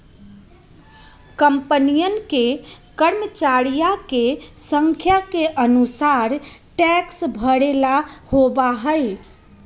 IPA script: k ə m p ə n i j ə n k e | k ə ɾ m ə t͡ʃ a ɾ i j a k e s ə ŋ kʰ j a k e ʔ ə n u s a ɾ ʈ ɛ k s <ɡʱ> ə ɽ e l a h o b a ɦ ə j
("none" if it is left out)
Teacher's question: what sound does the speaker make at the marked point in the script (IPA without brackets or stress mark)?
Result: bʱ